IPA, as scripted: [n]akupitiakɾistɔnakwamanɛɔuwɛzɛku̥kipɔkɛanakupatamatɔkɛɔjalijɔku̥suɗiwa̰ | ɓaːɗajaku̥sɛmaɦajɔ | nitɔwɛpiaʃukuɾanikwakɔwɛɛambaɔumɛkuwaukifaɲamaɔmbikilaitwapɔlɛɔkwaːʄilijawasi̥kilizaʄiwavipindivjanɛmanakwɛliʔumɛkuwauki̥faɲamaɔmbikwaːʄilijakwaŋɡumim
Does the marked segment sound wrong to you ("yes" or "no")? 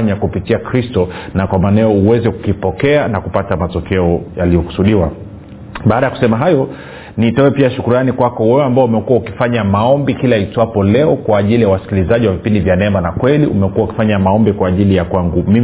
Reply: yes